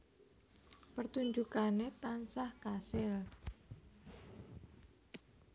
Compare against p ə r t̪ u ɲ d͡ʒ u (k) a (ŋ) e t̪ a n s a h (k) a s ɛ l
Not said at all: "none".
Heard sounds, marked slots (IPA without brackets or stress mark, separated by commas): k, n, k